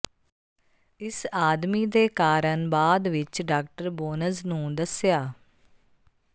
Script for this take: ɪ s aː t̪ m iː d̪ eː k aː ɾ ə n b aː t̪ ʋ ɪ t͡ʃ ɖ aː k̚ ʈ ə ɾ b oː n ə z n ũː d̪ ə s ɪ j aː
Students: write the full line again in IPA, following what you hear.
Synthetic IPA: ɪ s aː d̪ m iː d̪ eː k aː ɾ ə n b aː d̪ ʋ ɪ t͡ʃ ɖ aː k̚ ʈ ə ɾ b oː n ə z n ũː d̪ ə s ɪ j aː